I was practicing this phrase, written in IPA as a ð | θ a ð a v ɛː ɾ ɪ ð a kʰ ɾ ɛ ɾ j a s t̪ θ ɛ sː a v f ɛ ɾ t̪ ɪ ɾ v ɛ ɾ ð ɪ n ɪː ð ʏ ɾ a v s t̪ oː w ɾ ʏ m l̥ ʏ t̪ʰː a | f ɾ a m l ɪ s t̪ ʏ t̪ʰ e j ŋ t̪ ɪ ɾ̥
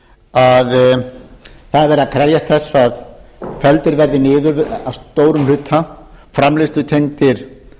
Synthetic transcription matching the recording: a ð | θ a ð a v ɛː ɾ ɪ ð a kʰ ɾ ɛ ɾ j a s t̪ θ ɛ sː a ð f ɛ l t̪ ɪ ɾ v ɛ ɾ ð ɪ n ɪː ð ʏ ɾ a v s t̪ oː w ɾ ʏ m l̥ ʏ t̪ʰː a | f ɾ a m l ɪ s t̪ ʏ t̪ʰ e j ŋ t̪ ɪ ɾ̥